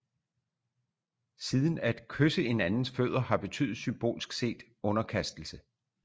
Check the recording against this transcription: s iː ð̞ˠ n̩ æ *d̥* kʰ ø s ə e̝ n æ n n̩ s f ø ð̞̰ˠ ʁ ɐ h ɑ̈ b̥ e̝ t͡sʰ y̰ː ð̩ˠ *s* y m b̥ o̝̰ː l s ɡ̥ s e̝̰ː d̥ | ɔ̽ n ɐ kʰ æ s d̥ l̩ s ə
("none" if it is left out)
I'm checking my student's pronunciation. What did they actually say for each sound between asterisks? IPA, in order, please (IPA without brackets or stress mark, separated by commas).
d̥, s